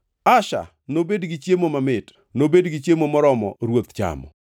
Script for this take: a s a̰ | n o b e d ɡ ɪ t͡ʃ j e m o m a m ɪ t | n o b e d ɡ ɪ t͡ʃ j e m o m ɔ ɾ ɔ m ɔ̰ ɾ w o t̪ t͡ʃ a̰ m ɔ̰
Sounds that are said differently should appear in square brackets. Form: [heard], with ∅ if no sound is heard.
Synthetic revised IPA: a [ʃ] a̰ | n o b e d ɡ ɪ t͡ʃ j e m o m a m ɪ t | n o b e d ɡ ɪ t͡ʃ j e m o m ɔ ɾ ɔ m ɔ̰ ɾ w o t̪ t͡ʃ a̰ m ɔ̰